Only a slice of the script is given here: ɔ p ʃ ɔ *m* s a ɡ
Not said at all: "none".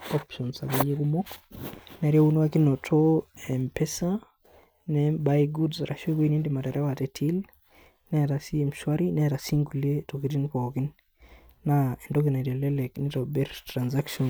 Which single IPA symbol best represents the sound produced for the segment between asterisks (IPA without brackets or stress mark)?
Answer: n